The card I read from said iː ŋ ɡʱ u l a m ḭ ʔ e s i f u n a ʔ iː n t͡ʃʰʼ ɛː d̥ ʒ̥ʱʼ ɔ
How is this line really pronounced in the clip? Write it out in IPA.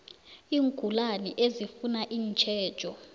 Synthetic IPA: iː ŋ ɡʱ u l a n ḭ ʔ e z i f u n a ʔ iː n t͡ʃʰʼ ɛː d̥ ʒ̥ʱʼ ɔ